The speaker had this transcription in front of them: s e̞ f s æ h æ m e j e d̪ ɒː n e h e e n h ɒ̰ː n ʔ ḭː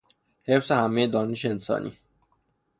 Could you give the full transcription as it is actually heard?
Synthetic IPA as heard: h e̞ f s e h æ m e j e d̪ ɒː n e ʃ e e n s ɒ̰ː n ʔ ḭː